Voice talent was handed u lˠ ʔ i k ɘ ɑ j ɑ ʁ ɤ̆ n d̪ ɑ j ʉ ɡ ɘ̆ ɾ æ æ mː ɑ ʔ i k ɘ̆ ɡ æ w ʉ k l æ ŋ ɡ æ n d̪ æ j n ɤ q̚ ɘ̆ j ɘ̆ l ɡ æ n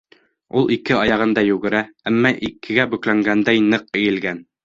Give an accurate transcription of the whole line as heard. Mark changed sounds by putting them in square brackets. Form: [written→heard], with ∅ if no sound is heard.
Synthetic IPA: u lˠ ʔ i k ɘ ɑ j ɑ ʁ ɤ̆ n d̪ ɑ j ʉ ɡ ɘ̆ ɾ æ æ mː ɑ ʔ i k ɘ̆ ɡ æ [w→b] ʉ k l æ ŋ ɡ æ n d̪ æ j n ɤ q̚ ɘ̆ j ɘ̆ l ɡ æ n

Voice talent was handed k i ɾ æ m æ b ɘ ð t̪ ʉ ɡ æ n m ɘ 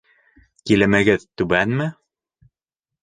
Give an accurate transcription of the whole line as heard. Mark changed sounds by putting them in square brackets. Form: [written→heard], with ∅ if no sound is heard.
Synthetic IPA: k i [ɾ→l] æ m æ [b→ɡ] ɘ ð t̪ ʉ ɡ æ n m ɘ

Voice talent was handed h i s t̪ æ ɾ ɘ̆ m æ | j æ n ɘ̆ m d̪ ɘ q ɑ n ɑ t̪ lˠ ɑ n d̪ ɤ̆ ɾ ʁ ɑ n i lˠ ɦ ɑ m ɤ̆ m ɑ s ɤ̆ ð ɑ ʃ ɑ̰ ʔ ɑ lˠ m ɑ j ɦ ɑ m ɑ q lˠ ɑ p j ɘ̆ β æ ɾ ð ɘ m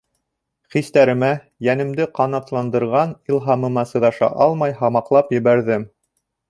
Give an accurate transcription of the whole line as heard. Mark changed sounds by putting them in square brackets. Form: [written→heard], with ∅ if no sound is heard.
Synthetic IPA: [h→χ] i s t̪ æ ɾ ɘ̆ m æ | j æ n ɘ̆ m d̪ ɘ q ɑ n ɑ t̪ lˠ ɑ n d̪ ɤ̆ ɾ ʁ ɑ n i lˠ ɦ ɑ m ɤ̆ m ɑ s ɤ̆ ð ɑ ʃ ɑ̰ ʔ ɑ lˠ m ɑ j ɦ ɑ m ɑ q lˠ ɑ p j ɘ̆ β æ ɾ ð ɘ m

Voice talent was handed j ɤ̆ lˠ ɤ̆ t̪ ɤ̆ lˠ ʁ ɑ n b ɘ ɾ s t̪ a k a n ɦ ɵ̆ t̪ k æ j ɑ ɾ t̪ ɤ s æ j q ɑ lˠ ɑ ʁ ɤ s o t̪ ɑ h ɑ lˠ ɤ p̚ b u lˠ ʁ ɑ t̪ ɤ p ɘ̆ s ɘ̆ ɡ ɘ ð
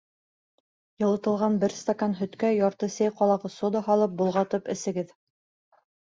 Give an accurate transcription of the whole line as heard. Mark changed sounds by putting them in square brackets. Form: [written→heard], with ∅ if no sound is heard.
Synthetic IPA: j ɤ̆ lˠ ɤ̆ t̪ ɤ̆ lˠ ʁ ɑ n b ɘ ɾ s t̪ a k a n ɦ ɵ̆ t̪ k æ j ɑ ɾ t̪ ɤ s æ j q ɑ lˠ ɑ ʁ ɤ s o [t̪→d̪] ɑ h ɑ lˠ ɤ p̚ b u lˠ ʁ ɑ t̪ ɤ p ɘ̆ s ɘ̆ ɡ ɘ ð

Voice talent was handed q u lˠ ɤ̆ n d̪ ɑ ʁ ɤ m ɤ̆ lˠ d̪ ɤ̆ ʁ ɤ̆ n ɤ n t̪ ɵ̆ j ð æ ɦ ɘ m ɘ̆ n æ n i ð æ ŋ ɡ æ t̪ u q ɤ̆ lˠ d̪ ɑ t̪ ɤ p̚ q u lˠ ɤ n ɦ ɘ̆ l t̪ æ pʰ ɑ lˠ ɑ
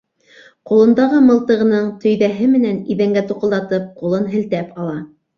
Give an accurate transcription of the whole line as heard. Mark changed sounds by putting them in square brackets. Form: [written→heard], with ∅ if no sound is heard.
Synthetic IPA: q u lˠ ɤ̆ n d̪ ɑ ʁ ɤ m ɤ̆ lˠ [d̪→t̪] ɤ̆ ʁ ɤ̆ n ɤ [n→ɴ] t̪ ɵ̆ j ð æ ɦ ɘ m ɘ̆ n æ n i ð æ ŋ ɡ æ t̪ u q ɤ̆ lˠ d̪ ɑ t̪ ɤ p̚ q u lˠ ɤ n ɦ ɘ̆ l t̪ æ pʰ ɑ lˠ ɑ

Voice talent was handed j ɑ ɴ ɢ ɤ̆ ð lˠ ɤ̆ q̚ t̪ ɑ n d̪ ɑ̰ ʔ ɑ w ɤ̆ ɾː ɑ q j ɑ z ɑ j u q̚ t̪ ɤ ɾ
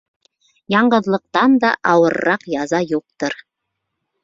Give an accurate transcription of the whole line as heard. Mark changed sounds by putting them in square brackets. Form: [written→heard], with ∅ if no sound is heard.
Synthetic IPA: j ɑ ɴ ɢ ɤ̆ ð lˠ ɤ̆ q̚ t̪ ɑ n d̪ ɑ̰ ʔ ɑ w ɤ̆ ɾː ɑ q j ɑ z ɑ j u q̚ t̪ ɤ ɾ

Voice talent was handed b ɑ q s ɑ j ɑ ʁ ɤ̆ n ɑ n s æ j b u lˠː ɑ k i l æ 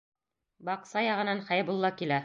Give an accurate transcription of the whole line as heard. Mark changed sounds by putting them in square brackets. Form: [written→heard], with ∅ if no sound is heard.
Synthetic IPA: b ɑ q s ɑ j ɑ ʁ ɤ̆ n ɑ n [s→χ] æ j b u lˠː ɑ k i l æ

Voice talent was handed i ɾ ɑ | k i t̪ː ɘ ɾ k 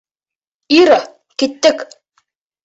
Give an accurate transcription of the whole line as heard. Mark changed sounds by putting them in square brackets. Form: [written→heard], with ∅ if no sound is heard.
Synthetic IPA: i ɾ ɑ | k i t̪ː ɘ [ɾ→∅] k

